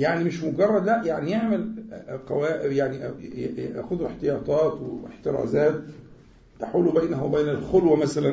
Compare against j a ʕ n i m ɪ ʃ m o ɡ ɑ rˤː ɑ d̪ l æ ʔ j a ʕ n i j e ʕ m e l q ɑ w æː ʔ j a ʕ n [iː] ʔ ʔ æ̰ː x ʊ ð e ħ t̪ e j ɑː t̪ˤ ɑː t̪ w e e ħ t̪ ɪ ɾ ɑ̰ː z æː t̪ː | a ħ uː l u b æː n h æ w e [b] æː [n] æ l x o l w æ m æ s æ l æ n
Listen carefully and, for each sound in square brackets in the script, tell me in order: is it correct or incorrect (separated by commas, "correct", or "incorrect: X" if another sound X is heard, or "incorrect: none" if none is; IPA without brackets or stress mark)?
incorrect: i, correct, correct